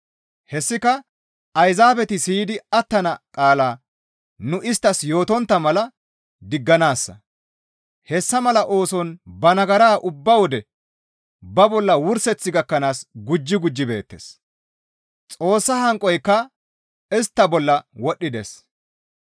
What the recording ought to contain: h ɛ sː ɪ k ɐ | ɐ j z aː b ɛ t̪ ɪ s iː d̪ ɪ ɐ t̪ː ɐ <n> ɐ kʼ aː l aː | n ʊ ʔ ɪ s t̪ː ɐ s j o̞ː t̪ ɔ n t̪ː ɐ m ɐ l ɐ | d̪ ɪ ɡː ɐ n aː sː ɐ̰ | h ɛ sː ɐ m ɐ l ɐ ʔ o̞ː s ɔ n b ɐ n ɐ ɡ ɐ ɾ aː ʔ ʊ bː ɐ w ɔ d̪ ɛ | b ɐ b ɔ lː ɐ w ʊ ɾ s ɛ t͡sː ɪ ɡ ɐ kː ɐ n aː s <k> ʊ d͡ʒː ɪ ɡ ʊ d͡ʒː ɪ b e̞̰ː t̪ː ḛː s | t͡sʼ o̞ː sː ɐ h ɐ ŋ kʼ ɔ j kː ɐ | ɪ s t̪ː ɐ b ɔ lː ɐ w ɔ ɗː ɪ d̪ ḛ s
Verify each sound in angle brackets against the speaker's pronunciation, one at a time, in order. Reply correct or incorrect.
correct, incorrect: ɡ

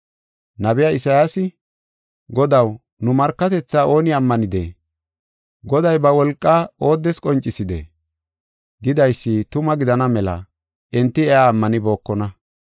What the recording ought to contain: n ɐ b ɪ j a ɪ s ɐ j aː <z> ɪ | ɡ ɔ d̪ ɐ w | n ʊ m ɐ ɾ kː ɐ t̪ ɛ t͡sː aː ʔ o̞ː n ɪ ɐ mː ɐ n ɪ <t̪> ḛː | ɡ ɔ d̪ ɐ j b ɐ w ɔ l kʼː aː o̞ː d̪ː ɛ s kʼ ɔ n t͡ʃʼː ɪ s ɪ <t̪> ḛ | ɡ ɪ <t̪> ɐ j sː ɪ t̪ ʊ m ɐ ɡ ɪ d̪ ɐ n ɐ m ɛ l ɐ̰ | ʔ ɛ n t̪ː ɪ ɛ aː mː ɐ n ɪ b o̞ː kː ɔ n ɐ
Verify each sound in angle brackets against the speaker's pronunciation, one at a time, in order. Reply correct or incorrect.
incorrect: s, incorrect: d̪, incorrect: d̪, incorrect: d̪

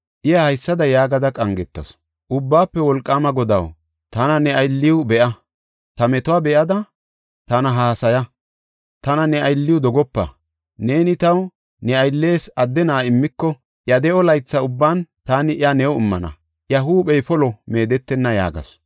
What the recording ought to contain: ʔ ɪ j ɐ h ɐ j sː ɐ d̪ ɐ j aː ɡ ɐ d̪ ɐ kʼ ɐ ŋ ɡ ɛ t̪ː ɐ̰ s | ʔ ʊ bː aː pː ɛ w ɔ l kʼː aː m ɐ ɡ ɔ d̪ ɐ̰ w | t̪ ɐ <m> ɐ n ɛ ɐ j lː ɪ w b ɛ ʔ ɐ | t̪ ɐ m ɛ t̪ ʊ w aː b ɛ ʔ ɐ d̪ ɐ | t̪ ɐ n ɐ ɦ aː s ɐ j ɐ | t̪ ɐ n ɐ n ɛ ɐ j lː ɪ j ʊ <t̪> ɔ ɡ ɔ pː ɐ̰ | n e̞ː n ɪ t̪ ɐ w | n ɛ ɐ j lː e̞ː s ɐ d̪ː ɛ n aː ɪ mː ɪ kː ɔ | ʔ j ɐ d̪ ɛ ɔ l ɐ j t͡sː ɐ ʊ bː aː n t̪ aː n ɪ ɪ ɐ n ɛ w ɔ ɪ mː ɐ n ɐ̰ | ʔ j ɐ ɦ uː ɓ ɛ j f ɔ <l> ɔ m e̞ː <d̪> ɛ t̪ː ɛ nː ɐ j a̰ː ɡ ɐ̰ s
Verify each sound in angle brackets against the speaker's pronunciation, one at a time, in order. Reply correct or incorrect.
incorrect: n, incorrect: d̪, correct, correct

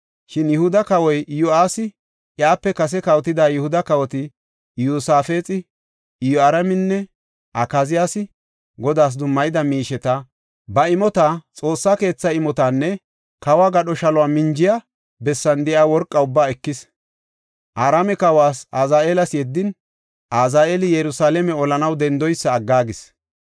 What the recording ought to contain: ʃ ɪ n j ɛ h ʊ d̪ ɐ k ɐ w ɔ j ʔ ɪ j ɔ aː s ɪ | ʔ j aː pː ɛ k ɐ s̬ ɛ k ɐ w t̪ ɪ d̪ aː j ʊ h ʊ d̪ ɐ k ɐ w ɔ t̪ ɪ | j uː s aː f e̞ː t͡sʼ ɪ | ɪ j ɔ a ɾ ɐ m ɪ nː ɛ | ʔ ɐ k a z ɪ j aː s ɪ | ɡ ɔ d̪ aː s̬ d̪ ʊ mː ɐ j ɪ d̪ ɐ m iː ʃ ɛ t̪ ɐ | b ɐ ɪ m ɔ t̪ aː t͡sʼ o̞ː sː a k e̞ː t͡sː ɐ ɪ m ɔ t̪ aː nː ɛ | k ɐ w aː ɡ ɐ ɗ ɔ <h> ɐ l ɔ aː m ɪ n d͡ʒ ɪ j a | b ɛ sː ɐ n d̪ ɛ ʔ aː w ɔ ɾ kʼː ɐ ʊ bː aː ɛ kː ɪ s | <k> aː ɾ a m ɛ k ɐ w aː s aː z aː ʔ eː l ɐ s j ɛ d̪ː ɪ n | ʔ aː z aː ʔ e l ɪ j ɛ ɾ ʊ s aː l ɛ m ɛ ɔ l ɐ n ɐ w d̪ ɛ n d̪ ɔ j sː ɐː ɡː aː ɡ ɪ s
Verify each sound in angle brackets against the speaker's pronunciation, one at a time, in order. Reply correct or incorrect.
incorrect: ʃ, incorrect: ʔ

